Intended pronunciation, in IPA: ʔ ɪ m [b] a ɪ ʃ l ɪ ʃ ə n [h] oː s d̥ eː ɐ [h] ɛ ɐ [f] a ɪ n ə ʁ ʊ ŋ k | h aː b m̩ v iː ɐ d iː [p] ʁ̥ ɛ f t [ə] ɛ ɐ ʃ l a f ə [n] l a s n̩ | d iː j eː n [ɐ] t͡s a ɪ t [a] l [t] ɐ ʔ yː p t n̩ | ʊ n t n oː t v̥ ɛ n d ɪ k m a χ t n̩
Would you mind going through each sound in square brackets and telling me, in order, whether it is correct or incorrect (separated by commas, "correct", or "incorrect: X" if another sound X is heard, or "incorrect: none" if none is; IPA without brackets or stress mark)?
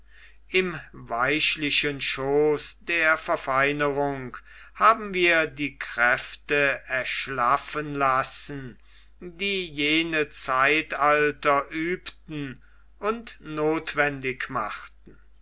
incorrect: v, incorrect: ʃ, incorrect: f, correct, incorrect: k, correct, correct, incorrect: ə, correct, correct